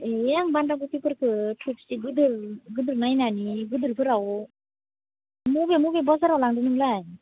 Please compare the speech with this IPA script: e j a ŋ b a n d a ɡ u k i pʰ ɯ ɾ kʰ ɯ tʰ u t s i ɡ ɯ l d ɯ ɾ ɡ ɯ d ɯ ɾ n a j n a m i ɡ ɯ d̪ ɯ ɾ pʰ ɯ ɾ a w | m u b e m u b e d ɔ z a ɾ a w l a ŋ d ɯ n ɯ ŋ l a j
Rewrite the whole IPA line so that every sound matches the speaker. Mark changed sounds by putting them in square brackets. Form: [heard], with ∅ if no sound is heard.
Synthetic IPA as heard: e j a ŋ b a n d a ɡ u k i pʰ ɯ ɾ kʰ ɯ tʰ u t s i ɡ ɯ [∅] d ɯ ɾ ɡ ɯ d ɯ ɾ n a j n a [n] i ɡ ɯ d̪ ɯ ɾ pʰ ɯ ɾ a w | m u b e m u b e [b] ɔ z a ɾ a w l a ŋ d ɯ n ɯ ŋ l a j